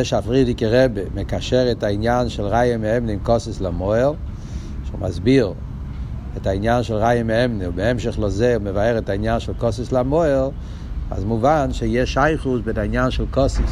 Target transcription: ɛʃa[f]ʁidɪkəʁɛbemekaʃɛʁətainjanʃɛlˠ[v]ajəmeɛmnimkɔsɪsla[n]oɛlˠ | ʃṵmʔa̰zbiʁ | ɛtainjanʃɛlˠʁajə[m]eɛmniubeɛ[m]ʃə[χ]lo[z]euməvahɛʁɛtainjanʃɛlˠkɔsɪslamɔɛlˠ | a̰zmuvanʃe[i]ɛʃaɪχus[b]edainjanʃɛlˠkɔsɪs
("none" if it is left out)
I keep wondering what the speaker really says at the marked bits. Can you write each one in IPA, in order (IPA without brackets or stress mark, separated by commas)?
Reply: f, ʁ, m, m, m, χ, z, j, b